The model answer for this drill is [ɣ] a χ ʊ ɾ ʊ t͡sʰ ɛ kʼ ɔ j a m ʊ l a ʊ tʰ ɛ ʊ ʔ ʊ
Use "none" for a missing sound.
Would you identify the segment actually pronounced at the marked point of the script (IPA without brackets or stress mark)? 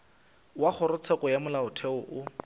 w